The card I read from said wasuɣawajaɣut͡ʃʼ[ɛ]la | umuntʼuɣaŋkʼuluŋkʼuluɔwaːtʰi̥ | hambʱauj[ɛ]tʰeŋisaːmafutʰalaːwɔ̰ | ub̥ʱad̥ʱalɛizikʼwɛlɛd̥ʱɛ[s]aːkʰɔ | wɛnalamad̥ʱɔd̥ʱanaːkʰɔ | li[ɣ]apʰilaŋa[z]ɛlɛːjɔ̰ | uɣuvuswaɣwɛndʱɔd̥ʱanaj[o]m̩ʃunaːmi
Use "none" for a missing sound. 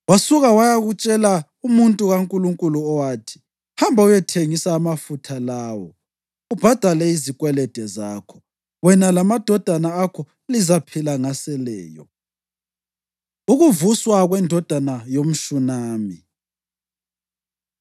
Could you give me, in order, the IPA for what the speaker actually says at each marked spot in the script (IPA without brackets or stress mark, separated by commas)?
ɛ, ɛ, z, z, s, o